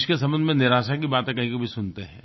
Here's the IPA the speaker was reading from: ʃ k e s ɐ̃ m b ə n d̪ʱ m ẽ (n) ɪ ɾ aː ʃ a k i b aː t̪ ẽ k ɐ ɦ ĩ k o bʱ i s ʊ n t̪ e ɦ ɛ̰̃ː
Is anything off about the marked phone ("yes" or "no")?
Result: no